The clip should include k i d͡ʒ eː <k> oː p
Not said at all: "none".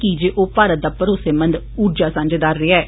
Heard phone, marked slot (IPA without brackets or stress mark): ʔ